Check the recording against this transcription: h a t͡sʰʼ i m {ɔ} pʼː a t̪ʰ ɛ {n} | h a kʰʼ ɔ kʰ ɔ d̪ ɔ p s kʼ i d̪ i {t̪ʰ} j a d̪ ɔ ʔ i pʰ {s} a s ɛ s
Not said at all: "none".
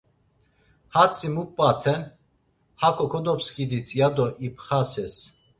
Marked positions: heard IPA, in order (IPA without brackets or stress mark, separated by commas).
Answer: u, n, t̪ʰ, χ